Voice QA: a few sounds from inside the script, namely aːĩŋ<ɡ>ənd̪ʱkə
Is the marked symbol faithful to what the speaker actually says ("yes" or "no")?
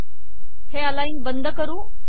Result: no